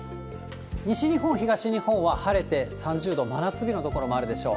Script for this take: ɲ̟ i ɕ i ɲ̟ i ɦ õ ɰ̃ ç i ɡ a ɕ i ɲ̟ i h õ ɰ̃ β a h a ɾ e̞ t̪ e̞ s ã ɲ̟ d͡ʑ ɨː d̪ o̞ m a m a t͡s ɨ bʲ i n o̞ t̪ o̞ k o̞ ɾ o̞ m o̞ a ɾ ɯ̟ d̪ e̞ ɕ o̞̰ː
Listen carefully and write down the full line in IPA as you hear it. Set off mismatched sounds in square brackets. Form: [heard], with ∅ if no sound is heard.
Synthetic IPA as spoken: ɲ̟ i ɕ i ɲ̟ i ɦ õ ɰ̃ ç i ɡ a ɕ i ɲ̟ i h õ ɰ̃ β a h a ɾ e̞ t̪ e̞ s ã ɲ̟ d͡ʑ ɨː d̪ o̞ m a [n] a t͡s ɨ bʲ i n o̞ t̪ o̞ k o̞ ɾ o̞ m o̞ a ɾ ɯ̟ d̪ e̞ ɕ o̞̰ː